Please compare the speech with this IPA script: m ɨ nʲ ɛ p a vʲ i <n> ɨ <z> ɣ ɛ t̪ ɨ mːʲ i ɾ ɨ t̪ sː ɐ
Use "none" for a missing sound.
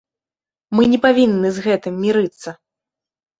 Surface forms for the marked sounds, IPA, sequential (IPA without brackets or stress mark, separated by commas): nː, z